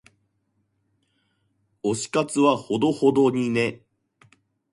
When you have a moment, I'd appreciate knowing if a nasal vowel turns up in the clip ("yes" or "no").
no